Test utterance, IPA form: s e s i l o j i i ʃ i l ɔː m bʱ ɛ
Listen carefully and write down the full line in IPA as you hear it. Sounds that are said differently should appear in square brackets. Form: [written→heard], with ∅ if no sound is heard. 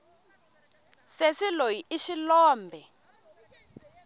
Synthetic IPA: s e s i l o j i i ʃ i l ɔː m bʱ ɛ